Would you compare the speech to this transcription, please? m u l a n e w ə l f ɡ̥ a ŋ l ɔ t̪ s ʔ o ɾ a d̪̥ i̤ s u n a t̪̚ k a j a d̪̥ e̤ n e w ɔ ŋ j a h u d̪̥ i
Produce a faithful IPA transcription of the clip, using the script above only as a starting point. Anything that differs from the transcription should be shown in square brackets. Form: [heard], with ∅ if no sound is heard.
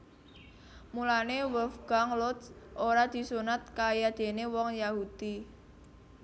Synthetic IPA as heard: m u l a n e w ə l f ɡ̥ a ŋ l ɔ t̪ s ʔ o ɾ a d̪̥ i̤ s u n a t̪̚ k a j a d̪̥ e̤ n e w ɔ ŋ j a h u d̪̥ i